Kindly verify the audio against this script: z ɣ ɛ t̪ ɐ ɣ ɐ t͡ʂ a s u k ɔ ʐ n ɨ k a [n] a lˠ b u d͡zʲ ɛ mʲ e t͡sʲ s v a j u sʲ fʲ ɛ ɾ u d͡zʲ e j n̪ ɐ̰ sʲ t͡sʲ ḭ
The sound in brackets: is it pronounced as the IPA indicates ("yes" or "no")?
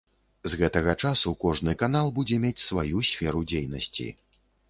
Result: yes